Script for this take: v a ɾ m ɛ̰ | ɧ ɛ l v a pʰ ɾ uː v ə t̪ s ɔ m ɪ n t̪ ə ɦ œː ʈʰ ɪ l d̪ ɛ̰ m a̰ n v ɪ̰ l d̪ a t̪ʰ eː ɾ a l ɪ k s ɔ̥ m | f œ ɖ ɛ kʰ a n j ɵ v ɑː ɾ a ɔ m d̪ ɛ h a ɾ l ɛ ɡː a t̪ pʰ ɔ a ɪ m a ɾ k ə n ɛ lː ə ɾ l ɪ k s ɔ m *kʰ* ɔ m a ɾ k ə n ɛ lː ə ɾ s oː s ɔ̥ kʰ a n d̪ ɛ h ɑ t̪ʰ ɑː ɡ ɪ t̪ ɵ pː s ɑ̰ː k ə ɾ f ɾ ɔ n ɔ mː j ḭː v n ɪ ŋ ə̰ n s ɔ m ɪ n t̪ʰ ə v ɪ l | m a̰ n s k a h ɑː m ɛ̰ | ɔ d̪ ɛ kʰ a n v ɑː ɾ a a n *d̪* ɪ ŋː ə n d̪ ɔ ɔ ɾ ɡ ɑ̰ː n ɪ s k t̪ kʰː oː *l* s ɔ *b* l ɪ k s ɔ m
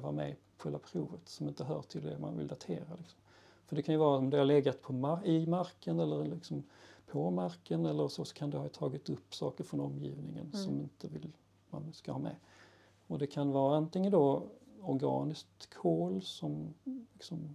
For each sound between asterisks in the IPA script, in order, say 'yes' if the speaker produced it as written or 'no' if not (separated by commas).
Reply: no, no, yes, no